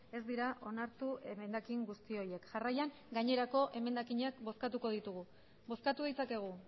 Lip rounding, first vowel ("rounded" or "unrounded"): unrounded